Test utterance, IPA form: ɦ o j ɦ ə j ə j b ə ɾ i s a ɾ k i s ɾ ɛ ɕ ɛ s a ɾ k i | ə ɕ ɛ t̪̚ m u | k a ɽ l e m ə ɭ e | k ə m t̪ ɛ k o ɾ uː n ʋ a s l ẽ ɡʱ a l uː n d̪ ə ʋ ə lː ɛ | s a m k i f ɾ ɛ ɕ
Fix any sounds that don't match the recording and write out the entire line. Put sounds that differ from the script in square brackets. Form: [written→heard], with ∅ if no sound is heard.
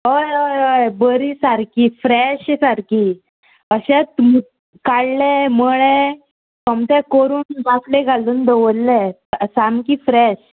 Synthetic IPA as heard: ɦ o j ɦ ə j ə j b ə ɾ i s a ɾ k i [s→f] ɾ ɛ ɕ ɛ s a ɾ k i | ə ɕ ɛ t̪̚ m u | k a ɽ l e m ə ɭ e | k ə m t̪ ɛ k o ɾ uː n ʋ a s l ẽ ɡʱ a l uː n d̪ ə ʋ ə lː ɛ | s a m k i f ɾ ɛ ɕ

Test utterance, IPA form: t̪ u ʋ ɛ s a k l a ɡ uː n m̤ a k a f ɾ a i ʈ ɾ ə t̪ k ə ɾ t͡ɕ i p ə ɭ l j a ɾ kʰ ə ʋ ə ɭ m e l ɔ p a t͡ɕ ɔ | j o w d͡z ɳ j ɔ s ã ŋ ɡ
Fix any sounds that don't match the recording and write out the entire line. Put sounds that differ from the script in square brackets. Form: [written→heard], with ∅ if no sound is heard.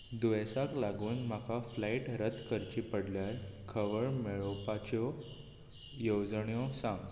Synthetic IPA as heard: [t̪→d̪] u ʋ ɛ s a k l a ɡ uː n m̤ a k a f [ɾ→l] a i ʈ ɾ ə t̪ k ə ɾ t͡ɕ i p ə [ɭ→ɽ] l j a ɾ kʰ ə ʋ ə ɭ m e [l→ɭ] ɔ p a t͡ɕ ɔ | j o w d͡z ɳ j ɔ s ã ŋ ɡ

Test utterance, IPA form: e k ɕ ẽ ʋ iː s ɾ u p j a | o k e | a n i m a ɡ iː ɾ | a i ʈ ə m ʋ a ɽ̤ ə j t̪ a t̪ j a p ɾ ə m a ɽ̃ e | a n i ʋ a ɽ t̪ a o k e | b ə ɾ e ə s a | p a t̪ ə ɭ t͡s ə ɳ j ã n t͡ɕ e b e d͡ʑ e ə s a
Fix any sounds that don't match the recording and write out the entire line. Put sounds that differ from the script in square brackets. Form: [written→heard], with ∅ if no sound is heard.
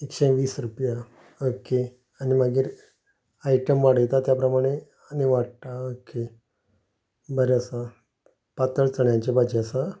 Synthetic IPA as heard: e k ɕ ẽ ʋ iː s ɾ u p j a | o k e | a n i m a ɡ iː ɾ | a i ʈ ə m ʋ a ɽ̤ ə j t̪ a t̪ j a p ɾ ə m a ɽ̃ e | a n i ʋ a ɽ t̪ a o k e | b ə ɾ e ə s a | p a t̪ ə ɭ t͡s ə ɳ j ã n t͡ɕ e b [e→a] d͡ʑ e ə s a

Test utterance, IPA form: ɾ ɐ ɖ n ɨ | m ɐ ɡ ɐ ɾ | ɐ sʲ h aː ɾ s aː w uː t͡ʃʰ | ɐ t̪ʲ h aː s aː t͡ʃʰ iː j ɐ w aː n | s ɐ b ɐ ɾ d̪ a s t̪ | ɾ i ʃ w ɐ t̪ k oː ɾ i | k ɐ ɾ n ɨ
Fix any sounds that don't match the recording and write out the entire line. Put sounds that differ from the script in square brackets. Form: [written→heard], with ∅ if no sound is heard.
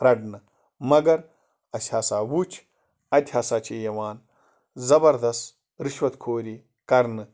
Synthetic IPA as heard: ɾ ɐ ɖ n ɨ | m ɐ ɡ ɐ ɾ | ɐ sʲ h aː [ɾ→∅] s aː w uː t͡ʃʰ | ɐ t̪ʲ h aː s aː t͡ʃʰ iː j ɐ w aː n | [s→z] ɐ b ɐ ɾ d̪ [a→ɐ] s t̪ | ɾ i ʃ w ɐ t̪ [k→kʰ] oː ɾ i | k ɐ ɾ n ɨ

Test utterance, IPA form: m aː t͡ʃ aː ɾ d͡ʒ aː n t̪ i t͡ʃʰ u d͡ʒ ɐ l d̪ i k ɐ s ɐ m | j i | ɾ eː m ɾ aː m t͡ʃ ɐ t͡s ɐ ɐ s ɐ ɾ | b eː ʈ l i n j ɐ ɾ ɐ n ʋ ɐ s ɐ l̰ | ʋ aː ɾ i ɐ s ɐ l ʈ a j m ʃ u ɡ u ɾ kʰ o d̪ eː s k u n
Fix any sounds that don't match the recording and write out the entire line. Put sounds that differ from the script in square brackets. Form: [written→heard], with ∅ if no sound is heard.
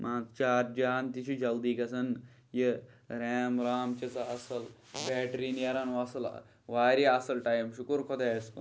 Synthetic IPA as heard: m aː t͡ʃ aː ɾ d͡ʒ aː n t̪ i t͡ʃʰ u d͡ʒ ɐ l d̪ i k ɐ s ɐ [m→n] | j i | ɾ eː m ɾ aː m t͡ʃ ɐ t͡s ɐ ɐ s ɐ [ɾ→l] | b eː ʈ [l→ɾ] i n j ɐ ɾ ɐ n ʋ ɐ s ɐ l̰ | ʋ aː ɾ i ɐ s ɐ l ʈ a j m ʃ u [ɡ→k] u ɾ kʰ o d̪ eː s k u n

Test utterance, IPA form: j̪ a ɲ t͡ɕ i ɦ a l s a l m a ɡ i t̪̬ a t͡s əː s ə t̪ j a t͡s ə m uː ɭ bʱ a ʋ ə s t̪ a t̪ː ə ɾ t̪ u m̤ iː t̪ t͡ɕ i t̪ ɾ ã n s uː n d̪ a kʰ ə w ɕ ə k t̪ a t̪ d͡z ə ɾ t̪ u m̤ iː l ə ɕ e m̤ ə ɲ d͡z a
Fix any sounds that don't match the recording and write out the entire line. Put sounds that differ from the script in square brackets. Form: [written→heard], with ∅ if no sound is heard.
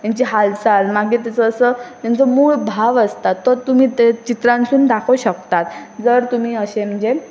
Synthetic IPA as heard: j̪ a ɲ t͡ɕ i ɦ a l s a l m a ɡ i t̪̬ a t͡s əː s ə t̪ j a t͡s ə m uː ɭ bʱ a ʋ ə s t̪ a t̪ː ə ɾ t̪ u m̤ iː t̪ t͡ɕ i t̪ ɾ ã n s uː n d̪ a kʰ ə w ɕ ə k t̪ a t̪ d͡z ə ɾ t̪ u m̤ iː [l→∅] ə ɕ e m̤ ə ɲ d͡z [a→e]

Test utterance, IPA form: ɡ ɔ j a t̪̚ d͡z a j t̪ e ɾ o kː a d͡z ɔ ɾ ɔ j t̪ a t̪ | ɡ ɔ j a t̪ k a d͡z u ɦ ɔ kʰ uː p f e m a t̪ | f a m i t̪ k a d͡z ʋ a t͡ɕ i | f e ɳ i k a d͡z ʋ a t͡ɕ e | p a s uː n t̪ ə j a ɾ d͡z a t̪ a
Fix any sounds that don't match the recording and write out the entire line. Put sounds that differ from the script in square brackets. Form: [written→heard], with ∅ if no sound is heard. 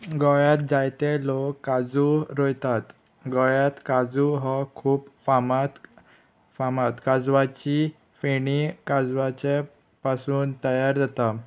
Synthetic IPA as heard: ɡ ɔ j a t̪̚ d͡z a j t̪ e [ɾ→l] o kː a d͡z [ɔ→u] ɾ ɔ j t̪ a t̪ | ɡ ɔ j a t̪ k a d͡z u ɦ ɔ kʰ uː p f [e→a] m a t̪ | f a m [i→a] t̪ k a d͡z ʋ a t͡ɕ i | f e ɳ i k a d͡z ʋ a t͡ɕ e | p a s uː n t̪ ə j a ɾ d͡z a t̪ a

